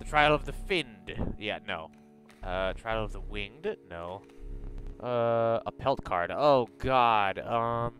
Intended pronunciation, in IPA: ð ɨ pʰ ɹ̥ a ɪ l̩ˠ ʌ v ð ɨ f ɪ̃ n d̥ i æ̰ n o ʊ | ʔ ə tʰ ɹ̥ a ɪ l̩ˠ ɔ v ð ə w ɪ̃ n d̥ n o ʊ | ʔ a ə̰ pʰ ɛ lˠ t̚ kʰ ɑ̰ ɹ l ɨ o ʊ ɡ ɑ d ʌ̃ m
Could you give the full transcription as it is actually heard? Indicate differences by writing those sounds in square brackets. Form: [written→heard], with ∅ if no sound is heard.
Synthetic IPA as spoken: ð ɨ [pʰ→tʰ] ɹ̥ a ɪ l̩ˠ ʌ v ð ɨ f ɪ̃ n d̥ [i→j] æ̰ n o ʊ | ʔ [ə→ʌ] tʰ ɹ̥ a ɪ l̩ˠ [ɔ→ʌ] v ð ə w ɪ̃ n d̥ n o ʊ | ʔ [a→ʌ] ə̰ pʰ ɛ lˠ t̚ kʰ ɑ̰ ɹ [l→ɾ] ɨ o ʊ ɡ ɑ d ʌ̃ m